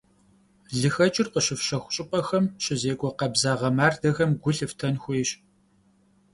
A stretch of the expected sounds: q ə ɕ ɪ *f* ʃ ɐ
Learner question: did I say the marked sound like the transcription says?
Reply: yes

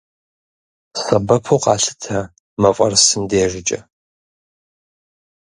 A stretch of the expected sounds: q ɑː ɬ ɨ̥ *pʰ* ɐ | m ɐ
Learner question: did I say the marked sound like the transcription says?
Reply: no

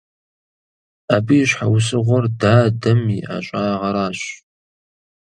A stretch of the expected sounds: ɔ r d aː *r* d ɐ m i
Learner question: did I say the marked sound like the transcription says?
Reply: no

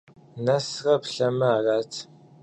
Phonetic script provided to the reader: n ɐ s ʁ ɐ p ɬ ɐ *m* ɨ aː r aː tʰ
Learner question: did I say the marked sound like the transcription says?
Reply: yes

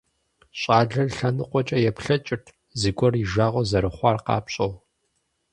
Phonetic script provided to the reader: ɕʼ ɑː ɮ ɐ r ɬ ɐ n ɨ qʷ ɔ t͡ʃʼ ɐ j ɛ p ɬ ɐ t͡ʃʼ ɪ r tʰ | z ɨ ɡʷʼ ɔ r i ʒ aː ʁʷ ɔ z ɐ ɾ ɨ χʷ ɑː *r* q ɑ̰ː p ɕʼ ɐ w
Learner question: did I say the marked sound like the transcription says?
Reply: yes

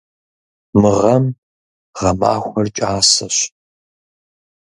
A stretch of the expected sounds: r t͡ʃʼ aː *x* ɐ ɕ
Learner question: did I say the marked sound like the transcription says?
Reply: no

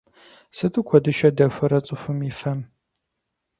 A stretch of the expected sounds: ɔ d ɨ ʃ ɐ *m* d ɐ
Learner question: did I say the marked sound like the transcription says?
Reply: no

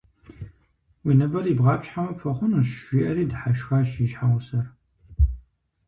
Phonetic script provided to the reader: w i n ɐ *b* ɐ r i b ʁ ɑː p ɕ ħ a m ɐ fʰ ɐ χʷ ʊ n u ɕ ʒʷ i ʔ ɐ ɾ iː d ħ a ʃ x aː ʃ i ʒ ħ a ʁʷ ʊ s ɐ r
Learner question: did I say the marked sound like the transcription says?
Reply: yes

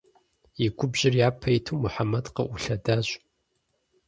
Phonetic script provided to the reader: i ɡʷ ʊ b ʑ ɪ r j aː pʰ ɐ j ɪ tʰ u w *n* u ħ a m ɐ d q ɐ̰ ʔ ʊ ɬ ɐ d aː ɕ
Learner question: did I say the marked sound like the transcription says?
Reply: no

